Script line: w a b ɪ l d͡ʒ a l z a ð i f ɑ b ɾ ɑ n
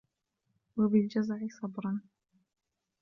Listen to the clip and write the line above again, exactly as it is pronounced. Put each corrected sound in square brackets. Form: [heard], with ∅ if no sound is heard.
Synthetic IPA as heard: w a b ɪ l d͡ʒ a [∅] z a [ʕ] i [s] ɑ b ɾ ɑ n